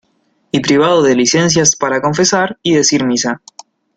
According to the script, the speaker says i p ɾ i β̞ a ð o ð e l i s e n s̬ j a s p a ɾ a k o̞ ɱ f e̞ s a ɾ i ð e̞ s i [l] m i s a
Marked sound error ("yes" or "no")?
yes